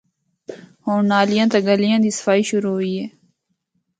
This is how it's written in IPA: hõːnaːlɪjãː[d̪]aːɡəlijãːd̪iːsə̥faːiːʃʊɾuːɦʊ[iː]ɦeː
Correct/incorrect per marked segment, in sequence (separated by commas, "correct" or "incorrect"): incorrect, correct